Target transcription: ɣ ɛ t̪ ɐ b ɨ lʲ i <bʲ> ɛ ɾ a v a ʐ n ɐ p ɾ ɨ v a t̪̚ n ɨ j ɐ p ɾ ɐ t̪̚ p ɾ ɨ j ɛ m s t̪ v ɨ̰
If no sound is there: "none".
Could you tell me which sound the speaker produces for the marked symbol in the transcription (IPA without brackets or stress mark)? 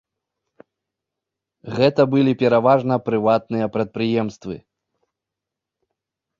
pʲ